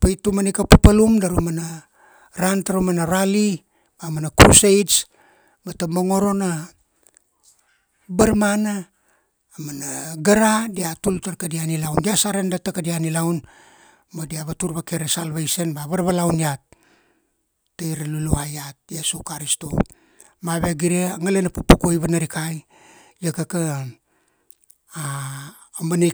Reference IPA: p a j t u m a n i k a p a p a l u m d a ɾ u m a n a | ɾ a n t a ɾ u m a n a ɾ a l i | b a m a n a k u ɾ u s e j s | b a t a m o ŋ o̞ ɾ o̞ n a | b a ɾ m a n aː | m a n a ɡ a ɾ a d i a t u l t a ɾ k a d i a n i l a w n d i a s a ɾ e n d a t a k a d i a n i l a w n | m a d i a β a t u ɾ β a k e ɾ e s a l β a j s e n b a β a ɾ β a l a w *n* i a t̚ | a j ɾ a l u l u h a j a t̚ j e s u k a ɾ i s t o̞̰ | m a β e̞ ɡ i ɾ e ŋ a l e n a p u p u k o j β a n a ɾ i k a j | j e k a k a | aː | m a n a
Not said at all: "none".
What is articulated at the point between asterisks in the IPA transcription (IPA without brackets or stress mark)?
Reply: n